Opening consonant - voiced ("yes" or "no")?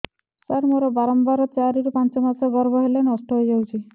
no